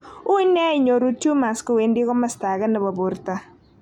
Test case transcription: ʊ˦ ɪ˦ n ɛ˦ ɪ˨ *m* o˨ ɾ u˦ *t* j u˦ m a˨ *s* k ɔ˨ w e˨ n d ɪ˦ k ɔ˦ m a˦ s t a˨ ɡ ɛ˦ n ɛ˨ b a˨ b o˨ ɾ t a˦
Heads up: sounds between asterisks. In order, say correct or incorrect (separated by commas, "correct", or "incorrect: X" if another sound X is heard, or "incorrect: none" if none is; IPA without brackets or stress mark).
incorrect: ɲ, correct, correct